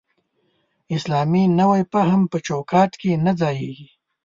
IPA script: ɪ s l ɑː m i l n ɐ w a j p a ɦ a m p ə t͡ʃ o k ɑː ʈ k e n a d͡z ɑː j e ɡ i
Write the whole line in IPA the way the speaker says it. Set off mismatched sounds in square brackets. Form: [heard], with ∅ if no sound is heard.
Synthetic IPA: ɪ s l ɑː m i [∅] n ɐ w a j p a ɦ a m p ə t͡ʃ o k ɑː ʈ k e n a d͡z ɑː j e ɡ i